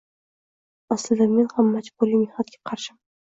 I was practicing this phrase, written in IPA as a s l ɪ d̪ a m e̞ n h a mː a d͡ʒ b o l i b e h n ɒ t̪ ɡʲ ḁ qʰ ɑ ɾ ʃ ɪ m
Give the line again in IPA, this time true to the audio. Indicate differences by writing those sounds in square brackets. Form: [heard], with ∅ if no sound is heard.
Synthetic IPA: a s l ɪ d̪ a m e̞ n h a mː a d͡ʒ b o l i [m] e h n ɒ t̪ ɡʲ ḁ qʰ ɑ ɾ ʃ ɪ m